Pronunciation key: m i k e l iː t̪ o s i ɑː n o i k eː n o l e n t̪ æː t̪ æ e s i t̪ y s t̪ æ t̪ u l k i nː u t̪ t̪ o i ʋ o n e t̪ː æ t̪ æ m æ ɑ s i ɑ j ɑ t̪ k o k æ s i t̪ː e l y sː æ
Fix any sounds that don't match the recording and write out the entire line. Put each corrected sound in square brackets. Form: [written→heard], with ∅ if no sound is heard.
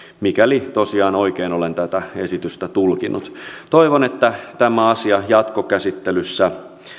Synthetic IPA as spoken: m i k [e→æ] l [iː→i] t̪ o s i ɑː n o i k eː n o l e n t̪ [æː→æ] t̪ æ e s i t̪ y s t̪ æ t̪ u l k i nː u t̪ t̪ o i ʋ o n e t̪ː æ t̪ æ m æ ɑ s i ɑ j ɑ t̪ k o k æ s i t̪ː e l y sː æ